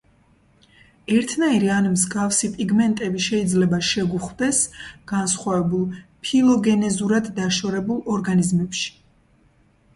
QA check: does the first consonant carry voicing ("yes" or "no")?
yes